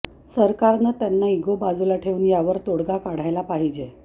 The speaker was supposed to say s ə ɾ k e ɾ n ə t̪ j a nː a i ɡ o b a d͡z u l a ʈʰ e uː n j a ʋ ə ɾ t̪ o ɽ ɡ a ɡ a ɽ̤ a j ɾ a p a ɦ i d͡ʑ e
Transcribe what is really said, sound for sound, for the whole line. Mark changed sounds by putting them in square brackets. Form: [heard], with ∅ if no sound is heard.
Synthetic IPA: s ə ɾ k [a] ɾ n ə t̪ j a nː a i ɡ o b a d͡z u l a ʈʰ e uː n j a ʋ ə ɾ t̪ o ɽ ɡ a [k] a ɽ̤ a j [l] a p a ɦ i d͡ʑ e